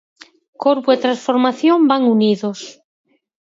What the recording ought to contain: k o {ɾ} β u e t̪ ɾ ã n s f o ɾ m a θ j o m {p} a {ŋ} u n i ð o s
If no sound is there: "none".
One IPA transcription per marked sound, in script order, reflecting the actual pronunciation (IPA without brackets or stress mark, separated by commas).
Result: ɾ, b, ŋ